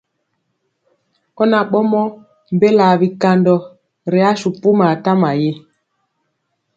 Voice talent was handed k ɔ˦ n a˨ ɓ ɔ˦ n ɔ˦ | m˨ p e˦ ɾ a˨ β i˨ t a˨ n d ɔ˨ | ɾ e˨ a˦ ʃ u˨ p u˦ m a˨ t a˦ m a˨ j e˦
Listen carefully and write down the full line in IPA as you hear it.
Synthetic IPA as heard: k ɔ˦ n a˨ ɓ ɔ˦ m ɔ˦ | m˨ b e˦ l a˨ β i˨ k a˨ n d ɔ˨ | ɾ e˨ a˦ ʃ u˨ p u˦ m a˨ t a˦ m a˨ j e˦